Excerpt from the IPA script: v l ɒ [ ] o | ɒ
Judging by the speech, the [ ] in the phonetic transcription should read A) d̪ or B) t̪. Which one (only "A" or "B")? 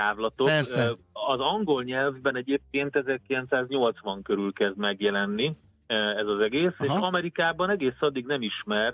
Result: B